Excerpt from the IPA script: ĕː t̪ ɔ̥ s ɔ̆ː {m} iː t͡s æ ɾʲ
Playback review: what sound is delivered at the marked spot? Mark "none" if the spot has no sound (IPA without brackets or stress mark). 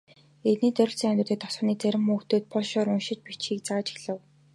n